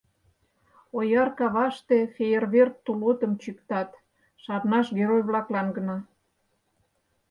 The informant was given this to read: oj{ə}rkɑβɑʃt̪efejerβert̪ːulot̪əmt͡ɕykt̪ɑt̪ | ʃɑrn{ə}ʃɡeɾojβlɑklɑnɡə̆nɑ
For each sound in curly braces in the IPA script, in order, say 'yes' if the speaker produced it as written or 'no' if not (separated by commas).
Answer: no, no